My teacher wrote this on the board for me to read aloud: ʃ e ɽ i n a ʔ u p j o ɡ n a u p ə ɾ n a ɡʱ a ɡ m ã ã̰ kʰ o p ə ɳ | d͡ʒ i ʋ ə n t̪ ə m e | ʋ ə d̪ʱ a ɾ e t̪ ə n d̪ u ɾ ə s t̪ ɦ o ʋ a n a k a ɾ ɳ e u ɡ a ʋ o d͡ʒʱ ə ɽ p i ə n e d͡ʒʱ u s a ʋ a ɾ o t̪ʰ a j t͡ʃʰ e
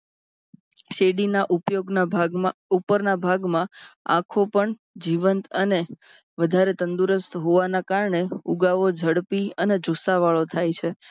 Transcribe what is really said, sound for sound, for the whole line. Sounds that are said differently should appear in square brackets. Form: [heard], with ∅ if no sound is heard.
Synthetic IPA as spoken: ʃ e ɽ i n a ʔ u p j o ɡ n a u p ə ɾ n a [bʱ] a ɡ m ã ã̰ kʰ o p ə ɳ | d͡ʒ i ʋ ə n t̪ ə [n] e | ʋ ə d̪ʱ a ɾ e t̪ ə n d̪ u ɾ ə s t̪ ɦ o ʋ a n a k a ɾ ɳ e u ɡ a ʋ o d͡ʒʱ ə ɽ p i ə n e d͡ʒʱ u s a ʋ a [ɭ] o t̪ʰ a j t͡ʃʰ e